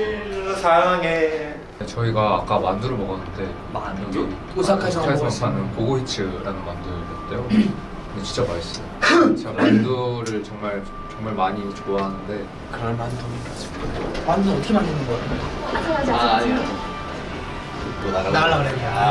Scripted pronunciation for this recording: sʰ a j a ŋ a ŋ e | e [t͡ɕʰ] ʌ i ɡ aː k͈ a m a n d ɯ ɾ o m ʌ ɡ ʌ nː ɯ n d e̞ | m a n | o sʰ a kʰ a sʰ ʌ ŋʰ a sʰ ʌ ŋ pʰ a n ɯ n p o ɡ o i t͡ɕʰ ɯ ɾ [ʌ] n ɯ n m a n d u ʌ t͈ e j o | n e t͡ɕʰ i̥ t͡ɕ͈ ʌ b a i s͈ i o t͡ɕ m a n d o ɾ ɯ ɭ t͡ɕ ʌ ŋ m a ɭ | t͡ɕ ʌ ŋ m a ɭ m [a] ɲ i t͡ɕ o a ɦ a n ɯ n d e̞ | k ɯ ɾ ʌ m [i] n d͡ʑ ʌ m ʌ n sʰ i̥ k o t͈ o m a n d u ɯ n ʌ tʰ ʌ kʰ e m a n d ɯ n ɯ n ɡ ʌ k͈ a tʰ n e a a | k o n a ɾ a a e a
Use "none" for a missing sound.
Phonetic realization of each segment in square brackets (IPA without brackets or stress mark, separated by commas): t͡ɕ, a, a, a